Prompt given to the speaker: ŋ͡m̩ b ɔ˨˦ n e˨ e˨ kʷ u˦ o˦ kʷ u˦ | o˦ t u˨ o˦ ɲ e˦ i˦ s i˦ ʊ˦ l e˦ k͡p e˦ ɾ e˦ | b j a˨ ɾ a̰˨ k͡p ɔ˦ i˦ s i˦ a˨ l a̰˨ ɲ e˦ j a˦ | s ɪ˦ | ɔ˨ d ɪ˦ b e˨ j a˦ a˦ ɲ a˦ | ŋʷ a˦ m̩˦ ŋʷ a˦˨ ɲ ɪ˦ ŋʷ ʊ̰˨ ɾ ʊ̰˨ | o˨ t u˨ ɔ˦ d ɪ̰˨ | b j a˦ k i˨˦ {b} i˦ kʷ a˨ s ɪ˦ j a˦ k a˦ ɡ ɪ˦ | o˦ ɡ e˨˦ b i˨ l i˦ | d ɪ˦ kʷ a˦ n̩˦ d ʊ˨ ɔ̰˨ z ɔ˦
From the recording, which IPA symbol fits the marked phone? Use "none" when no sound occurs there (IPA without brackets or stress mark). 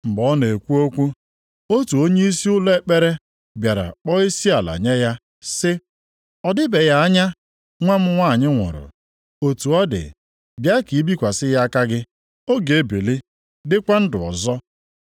b